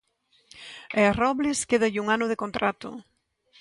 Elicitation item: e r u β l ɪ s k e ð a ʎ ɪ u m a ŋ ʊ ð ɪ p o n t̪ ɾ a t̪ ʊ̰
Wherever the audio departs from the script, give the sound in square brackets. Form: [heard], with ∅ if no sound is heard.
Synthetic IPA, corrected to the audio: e r [ɔ] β l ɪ s k e ð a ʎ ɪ u [ŋ] a [n] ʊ ð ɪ [k] o n t̪ ɾ a t̪ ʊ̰